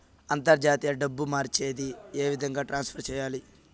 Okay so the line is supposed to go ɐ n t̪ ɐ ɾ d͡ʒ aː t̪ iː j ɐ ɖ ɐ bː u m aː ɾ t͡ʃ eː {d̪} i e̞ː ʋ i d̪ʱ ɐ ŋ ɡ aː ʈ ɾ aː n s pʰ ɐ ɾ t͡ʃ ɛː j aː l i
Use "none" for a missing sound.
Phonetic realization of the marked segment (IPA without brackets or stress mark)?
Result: d̪